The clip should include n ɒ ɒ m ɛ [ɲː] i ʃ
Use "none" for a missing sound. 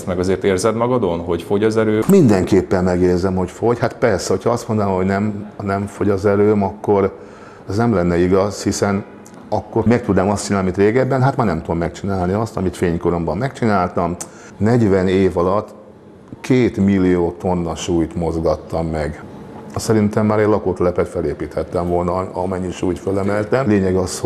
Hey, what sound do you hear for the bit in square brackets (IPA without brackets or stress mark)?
ɲː